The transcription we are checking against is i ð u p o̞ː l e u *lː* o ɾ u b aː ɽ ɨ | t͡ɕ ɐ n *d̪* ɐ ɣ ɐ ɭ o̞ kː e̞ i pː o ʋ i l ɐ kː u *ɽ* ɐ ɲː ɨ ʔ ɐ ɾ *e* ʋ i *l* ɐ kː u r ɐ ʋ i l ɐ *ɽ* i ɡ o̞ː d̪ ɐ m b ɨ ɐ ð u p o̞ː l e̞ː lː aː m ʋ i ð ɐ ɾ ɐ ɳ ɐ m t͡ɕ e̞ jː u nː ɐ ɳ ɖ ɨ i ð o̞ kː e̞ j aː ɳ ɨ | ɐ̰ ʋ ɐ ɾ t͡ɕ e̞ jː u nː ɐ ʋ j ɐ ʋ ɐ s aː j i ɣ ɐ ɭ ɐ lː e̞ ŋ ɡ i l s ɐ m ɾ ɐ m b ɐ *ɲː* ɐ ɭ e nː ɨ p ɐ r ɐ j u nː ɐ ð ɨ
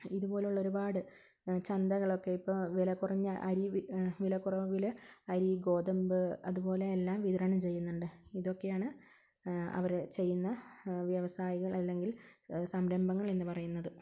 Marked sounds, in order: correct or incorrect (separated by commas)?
incorrect, correct, incorrect, incorrect, correct, incorrect, incorrect